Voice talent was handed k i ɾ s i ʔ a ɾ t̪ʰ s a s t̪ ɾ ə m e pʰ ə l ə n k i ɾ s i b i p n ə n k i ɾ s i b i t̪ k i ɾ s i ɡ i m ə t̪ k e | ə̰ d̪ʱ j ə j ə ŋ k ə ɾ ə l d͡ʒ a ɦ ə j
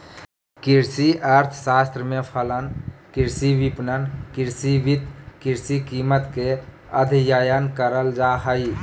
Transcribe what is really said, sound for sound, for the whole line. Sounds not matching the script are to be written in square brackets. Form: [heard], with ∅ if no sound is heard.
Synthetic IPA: k i ɾ s i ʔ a ɾ t̪ʰ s a s t̪ ɾ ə m e pʰ ə l ə n k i ɾ s i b i p n ə n k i ɾ s i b i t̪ k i ɾ s i [k] i m ə t̪ k e | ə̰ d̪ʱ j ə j ə [n] k ə ɾ ə l d͡ʒ a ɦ ə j

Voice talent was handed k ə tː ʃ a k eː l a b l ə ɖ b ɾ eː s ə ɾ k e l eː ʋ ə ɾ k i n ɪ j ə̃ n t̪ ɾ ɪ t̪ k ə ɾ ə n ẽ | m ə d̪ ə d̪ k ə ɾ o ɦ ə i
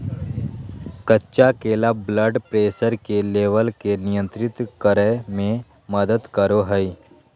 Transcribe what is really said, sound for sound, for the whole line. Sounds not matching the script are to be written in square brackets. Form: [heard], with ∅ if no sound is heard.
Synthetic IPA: k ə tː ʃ a k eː l a b l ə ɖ [p] ɾ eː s ə ɾ k e l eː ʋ ə [l] k [e] n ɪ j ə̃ n t̪ ɾ ɪ t̪ k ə ɾ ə [m] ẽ | m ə d̪ ə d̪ k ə ɾ o ɦ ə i

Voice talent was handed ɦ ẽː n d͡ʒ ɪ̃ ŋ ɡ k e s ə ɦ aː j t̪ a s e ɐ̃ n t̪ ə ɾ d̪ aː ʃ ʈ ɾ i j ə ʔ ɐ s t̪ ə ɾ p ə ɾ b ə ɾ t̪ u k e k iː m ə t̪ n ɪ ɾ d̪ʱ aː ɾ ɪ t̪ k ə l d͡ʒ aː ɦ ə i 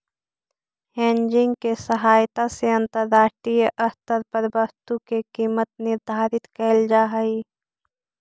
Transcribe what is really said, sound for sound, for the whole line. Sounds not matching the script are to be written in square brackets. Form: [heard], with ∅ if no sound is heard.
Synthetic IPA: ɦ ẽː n d͡ʒ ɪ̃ ŋ ɡ k e s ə ɦ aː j t̪ a s e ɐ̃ n t̪ ə ɾ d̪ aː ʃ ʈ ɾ i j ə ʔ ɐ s t̪ ə ɾ p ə ɾ b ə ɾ t̪ u k e k iː m ə t̪ n ɪ ɾ d̪ʱ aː ɾ ɪ t̪ k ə l d͡ʒ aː ɦ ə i

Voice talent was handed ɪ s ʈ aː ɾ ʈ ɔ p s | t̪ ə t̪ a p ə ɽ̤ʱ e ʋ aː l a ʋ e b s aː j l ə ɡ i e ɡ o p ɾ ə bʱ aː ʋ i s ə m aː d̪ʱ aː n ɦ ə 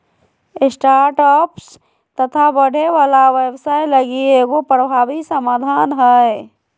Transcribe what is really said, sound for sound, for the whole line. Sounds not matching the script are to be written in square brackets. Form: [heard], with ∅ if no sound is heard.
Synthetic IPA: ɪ s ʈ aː ɾ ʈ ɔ p s | t̪ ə [t̪ʰ] a [b] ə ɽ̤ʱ e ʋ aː l a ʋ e b s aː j l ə ɡ i e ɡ o p ɾ ə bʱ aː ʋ i s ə m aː d̪ʱ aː n ɦ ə

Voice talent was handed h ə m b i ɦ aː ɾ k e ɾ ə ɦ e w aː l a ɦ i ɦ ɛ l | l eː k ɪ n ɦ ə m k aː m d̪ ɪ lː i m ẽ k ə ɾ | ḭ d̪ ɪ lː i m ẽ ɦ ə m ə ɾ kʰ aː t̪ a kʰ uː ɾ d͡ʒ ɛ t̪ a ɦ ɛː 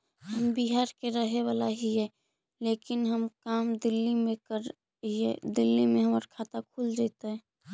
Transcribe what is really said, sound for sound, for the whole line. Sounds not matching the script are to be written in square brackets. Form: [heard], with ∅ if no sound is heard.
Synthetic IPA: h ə m b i ɦ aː ɾ k e ɾ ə ɦ e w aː l a ɦ i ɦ ɛ [∅] | l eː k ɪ n ɦ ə m k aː m d̪ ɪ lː i m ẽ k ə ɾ | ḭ d̪ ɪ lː i m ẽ ɦ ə m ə ɾ kʰ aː t̪ a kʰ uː [l] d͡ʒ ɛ t̪ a ɦ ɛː

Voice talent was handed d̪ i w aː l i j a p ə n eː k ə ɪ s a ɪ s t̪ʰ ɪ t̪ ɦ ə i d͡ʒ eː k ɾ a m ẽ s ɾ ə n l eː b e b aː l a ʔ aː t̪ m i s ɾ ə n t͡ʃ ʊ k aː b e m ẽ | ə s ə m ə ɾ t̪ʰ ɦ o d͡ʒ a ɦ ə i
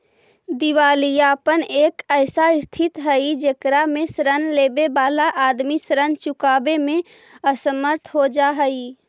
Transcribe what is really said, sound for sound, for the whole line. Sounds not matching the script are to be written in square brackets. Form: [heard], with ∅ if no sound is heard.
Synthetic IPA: d̪ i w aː l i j a p ə n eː k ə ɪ s a ɪ s t̪ʰ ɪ t̪ ɦ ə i d͡ʒ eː k ɾ a m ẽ s ɾ ə n l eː b e b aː l a ʔ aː [d̪] m i s ɾ ə n t͡ʃ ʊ k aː b e m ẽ | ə s ə m ə ɾ t̪ʰ ɦ o d͡ʒ a ɦ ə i

